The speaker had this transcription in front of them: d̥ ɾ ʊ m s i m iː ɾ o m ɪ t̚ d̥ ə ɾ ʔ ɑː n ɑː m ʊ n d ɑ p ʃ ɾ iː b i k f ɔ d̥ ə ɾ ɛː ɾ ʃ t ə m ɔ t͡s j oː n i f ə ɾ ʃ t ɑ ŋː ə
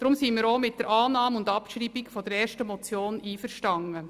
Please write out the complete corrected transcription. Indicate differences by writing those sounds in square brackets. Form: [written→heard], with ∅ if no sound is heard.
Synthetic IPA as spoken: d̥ ɾ ʊ m s i m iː ɾ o m ɪ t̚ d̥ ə ɾ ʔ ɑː n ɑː m ʊ n d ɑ p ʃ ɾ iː b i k f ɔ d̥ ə ɾ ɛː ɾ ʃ t ə m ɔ t͡s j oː n [i→iː] f ə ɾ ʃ t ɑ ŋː ə